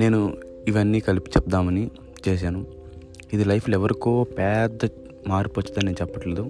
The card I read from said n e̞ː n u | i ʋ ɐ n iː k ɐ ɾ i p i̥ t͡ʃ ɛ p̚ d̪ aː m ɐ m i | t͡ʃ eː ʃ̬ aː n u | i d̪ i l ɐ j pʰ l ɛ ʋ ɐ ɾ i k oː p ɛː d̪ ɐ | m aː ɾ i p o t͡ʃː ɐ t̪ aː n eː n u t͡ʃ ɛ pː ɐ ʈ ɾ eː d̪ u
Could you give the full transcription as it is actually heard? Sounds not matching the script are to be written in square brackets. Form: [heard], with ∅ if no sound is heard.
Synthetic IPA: n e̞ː n u | i ʋ ɐ [nː] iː k ɐ [l] i p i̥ t͡ʃ ɛ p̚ d̪ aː m ɐ [n] i | t͡ʃ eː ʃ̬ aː n u | i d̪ i l ɐ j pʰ l ɛ ʋ ɐ ɾ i k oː p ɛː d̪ ɐ | m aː ɾ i p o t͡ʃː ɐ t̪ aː n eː n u t͡ʃ ɛ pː ɐ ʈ [l] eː d̪ u